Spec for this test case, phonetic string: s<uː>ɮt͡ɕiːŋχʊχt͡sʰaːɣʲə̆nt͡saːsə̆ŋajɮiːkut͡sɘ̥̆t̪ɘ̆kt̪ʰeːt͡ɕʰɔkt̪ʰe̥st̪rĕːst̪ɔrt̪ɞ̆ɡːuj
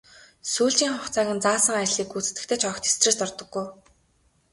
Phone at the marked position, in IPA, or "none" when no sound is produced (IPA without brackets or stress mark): uː